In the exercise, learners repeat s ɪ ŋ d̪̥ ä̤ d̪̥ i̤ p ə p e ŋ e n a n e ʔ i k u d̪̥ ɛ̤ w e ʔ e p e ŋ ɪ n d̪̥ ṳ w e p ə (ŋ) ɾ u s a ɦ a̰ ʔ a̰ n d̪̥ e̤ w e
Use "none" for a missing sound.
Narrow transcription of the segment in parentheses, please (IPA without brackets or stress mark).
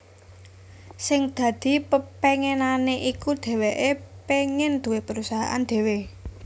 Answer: none